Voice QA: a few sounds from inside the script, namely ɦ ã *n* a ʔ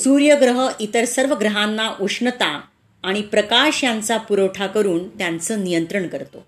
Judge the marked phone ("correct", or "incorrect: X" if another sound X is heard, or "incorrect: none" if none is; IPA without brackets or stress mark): incorrect: nː